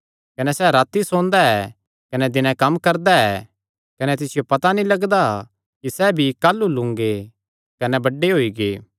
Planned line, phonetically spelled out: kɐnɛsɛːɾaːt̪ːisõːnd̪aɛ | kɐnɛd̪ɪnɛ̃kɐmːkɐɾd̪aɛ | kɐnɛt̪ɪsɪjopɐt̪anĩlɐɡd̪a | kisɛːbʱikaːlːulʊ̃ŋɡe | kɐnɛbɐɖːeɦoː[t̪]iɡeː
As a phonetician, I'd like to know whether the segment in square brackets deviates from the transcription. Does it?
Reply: yes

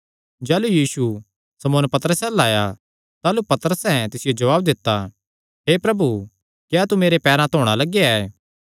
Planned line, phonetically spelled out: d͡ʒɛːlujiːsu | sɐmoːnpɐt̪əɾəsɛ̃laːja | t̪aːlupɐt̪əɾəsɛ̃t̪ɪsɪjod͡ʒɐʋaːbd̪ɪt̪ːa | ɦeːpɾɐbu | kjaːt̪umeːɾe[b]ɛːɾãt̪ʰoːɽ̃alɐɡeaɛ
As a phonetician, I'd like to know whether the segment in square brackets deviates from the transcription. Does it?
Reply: yes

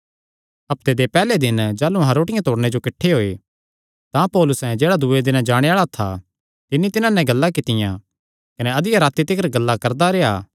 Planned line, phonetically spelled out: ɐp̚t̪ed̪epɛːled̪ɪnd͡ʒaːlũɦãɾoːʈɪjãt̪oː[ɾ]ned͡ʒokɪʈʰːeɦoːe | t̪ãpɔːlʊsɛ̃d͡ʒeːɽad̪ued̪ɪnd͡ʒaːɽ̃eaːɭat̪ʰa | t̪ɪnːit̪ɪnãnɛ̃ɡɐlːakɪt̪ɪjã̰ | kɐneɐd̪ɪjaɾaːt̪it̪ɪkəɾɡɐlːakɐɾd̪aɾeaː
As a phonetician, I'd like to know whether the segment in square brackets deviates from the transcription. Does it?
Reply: yes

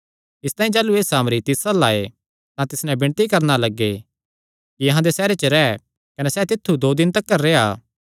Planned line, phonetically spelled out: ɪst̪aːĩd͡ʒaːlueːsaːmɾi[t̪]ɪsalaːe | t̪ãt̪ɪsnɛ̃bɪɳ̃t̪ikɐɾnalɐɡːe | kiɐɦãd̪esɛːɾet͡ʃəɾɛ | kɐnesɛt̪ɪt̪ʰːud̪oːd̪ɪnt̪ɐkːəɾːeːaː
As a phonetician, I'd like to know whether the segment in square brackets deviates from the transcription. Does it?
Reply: no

